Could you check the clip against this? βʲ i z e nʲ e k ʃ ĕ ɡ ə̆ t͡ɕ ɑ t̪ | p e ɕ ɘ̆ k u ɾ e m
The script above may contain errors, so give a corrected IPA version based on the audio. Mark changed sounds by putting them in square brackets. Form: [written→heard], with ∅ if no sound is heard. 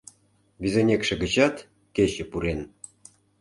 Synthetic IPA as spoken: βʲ i z e nʲ e k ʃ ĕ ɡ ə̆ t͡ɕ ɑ t̪ | [p→k] e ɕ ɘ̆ [k→p] u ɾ e [m→n]